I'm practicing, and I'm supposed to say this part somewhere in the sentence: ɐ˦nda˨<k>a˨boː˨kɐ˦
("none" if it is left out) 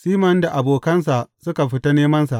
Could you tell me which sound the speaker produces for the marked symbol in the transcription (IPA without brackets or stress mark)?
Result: ʔ